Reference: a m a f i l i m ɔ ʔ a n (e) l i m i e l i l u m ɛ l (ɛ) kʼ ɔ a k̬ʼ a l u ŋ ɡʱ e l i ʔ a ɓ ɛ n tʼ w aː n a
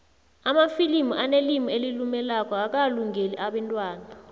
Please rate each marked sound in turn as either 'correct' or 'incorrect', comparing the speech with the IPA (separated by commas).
correct, incorrect